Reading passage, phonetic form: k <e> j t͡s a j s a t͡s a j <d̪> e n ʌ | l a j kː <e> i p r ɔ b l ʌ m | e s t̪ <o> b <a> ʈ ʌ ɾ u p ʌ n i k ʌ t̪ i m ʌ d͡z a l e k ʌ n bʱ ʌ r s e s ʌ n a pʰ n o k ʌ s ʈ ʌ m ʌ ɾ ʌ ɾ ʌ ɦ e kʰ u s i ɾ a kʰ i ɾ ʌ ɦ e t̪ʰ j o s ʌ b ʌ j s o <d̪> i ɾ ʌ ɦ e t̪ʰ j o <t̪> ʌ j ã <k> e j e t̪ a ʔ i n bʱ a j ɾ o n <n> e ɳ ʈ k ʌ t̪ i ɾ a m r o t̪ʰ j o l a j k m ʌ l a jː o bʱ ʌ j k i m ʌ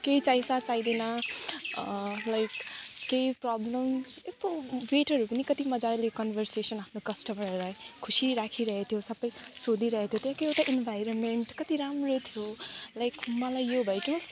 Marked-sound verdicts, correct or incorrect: correct, correct, correct, correct, incorrect: e, correct, correct, correct, incorrect: m

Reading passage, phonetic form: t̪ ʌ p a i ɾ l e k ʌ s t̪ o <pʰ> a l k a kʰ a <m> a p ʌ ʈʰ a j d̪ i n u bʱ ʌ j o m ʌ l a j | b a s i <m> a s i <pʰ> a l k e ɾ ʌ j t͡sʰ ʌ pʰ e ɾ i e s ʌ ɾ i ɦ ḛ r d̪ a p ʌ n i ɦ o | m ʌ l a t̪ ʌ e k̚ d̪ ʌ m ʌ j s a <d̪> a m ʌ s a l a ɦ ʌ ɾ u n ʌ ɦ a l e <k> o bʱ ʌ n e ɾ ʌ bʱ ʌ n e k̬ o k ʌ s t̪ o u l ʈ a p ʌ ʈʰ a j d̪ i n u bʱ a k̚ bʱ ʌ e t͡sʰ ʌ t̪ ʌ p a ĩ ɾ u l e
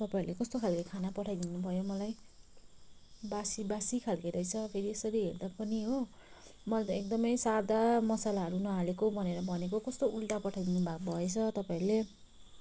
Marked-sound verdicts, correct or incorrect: incorrect: kʰ, incorrect: n, incorrect: b, incorrect: kʰ, correct, correct

